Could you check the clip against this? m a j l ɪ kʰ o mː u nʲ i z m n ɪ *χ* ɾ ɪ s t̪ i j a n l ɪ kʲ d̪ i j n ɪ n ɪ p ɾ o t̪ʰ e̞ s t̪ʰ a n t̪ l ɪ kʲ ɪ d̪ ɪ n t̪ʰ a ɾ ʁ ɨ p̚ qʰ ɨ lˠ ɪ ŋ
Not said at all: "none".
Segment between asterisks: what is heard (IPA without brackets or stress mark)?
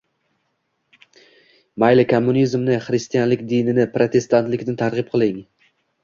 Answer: χ